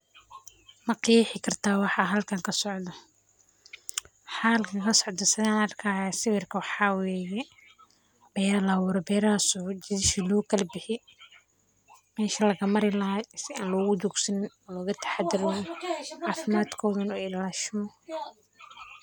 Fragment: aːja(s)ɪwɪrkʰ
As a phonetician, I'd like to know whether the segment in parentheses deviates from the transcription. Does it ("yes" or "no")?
no